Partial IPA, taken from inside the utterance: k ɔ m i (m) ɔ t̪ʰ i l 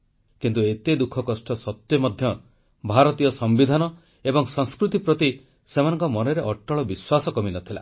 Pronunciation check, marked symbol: incorrect: n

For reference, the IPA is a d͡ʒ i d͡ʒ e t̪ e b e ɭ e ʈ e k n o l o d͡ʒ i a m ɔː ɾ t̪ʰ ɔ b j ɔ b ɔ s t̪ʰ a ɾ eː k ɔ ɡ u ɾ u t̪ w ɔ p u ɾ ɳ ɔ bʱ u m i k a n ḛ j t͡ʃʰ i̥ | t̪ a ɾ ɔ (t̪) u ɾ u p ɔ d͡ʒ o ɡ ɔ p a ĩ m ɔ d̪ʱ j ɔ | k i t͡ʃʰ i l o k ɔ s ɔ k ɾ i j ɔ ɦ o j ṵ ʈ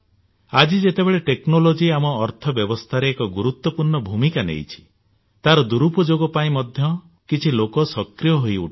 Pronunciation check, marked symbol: incorrect: d̪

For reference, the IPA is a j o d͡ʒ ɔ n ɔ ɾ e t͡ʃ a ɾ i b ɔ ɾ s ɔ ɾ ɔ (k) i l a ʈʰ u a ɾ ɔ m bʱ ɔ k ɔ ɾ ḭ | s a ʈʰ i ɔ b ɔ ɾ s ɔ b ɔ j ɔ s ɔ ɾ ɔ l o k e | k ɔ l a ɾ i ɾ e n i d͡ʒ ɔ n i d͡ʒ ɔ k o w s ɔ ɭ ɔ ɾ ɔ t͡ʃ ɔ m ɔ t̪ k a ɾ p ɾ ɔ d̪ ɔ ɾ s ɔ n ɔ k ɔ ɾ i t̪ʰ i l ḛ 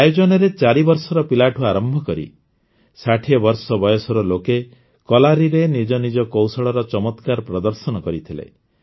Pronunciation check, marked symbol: incorrect: p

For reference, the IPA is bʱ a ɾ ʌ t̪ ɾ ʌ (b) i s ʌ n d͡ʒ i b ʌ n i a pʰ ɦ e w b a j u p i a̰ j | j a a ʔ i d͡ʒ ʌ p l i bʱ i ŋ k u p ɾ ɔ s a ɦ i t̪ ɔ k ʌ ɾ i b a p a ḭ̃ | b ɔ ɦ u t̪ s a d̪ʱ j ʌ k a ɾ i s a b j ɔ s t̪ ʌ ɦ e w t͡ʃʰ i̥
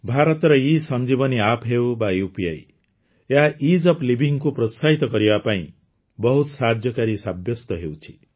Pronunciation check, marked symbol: incorrect: none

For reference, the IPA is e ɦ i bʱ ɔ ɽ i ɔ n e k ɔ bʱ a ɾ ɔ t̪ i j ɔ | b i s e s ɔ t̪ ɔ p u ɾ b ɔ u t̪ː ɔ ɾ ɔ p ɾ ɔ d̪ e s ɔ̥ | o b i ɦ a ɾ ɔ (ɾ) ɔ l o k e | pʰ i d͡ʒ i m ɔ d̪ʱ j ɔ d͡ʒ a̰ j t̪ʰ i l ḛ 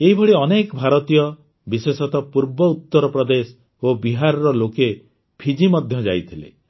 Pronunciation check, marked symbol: correct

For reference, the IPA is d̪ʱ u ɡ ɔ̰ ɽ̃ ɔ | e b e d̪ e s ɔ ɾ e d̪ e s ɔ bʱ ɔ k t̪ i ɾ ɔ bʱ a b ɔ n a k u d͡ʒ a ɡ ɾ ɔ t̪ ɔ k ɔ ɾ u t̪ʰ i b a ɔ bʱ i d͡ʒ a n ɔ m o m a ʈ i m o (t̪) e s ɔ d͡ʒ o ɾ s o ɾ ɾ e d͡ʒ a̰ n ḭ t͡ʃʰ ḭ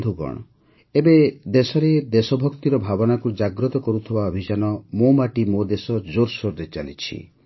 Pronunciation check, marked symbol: incorrect: d̪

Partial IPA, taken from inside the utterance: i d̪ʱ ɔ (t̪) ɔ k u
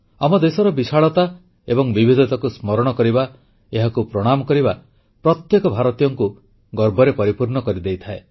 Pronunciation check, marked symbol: correct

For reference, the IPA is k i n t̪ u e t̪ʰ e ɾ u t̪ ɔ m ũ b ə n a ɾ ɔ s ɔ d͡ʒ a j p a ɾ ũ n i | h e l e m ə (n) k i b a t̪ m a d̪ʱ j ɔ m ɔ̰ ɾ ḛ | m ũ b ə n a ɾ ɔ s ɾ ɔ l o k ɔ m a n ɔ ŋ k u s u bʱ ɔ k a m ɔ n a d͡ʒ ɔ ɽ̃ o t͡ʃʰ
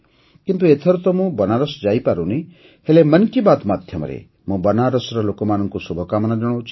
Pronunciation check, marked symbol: correct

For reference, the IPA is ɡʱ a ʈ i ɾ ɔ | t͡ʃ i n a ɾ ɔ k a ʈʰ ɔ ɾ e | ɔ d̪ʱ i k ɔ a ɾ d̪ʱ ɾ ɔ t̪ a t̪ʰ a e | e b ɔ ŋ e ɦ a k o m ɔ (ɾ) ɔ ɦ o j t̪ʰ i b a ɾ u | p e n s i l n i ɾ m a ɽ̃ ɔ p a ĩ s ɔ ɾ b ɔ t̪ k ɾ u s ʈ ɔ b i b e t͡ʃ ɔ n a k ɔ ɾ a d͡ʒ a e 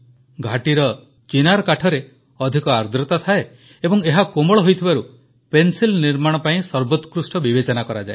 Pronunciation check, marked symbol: incorrect: ɭ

